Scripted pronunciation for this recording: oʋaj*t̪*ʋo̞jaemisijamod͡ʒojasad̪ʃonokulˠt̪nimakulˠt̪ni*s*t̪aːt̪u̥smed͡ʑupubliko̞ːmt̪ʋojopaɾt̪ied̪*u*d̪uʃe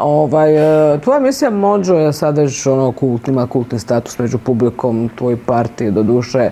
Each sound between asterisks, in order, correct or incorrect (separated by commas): correct, correct, incorrect